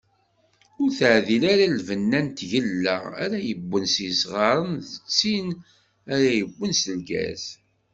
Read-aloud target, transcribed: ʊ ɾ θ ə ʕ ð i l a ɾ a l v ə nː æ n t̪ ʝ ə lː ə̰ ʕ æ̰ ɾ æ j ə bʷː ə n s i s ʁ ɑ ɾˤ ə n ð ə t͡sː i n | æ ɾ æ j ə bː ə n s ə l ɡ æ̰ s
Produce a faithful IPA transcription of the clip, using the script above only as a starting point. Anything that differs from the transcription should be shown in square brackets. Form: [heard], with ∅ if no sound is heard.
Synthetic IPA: ʊ ɾ θ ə ʕ ð i l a ɾ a l v ə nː æ n t̪ ʝ ə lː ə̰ [ʁ] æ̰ ɾ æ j ə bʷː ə n s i s ʁ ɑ ɾˤ ə n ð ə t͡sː i n | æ ɾ æ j ə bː ə n s ə l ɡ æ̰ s